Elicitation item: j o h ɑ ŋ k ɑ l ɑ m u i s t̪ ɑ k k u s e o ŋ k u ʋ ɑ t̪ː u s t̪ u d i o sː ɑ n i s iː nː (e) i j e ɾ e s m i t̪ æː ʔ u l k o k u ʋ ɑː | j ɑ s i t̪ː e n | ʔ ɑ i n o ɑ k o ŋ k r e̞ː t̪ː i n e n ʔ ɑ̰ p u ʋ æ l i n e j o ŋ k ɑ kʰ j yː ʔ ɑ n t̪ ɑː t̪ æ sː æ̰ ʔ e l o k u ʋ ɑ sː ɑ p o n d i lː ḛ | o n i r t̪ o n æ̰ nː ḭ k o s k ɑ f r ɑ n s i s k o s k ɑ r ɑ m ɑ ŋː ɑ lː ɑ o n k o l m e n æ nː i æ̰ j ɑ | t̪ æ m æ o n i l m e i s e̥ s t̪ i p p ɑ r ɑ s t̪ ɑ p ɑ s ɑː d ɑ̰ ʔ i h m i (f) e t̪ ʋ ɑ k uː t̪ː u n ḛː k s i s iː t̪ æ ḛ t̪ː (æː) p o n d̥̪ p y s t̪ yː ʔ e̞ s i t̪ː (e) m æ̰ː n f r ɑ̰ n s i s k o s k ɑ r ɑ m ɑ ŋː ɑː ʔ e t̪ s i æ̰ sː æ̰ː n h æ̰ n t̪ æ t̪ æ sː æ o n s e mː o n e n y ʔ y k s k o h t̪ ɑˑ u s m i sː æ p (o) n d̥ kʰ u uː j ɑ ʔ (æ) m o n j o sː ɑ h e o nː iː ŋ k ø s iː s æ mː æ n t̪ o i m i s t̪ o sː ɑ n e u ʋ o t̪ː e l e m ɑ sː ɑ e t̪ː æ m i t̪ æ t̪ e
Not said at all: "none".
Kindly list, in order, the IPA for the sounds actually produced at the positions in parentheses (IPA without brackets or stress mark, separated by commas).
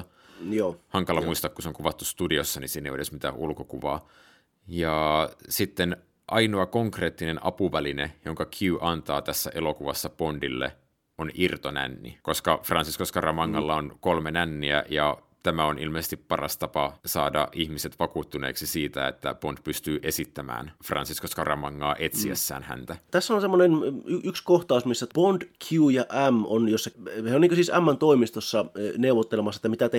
e, s, æ, æ, o, æ